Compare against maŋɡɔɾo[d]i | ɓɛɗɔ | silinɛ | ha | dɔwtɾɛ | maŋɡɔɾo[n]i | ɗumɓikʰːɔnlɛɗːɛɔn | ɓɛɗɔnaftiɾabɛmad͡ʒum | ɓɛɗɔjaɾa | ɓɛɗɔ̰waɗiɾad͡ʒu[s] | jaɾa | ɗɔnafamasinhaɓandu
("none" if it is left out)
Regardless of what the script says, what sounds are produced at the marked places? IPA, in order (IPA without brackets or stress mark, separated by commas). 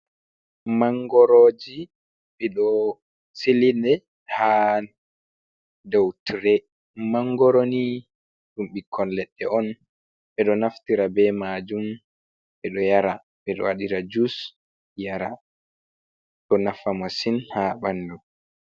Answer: d͡ʒ, n, s